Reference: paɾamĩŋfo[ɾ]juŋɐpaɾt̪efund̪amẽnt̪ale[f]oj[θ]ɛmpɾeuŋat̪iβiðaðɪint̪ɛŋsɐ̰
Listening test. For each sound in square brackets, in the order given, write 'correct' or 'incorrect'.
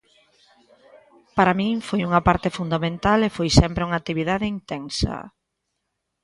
incorrect, correct, incorrect

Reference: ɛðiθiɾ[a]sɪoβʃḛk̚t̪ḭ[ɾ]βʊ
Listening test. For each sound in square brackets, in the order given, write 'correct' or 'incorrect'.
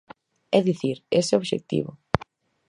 incorrect, incorrect

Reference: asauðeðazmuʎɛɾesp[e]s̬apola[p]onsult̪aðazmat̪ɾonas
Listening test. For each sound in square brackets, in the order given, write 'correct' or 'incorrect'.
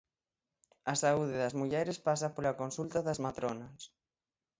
incorrect, incorrect

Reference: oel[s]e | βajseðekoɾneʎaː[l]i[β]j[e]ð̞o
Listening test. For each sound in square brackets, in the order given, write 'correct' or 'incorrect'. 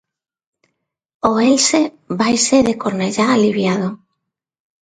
correct, correct, correct, incorrect

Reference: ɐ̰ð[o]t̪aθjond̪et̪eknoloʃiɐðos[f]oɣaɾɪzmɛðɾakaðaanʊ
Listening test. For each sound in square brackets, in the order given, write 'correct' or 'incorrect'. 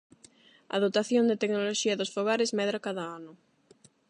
correct, correct

